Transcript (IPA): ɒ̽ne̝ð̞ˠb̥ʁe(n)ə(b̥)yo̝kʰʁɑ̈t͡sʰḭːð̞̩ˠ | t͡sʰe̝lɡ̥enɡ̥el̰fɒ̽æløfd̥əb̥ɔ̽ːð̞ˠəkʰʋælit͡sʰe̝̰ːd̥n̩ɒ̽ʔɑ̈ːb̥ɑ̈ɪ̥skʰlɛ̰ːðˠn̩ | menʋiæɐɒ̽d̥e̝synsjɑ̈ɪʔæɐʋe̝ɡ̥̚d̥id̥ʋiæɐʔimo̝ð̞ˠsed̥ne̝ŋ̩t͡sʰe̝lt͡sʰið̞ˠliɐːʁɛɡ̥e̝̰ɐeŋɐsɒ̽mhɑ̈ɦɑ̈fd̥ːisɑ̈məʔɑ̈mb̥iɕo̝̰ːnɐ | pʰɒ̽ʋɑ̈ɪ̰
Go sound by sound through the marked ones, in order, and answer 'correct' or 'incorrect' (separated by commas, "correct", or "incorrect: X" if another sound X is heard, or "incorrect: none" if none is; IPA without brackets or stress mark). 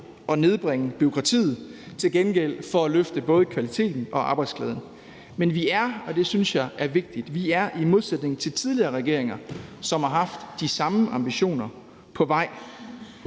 incorrect: ŋ, correct